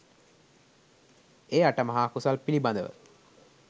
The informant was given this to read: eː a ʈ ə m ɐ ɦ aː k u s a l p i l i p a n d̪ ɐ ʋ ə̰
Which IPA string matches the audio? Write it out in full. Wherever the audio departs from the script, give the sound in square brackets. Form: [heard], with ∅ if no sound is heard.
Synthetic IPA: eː a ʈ ə m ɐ ɦ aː k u s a l p i l i [b] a n d̪ [ə] ʋ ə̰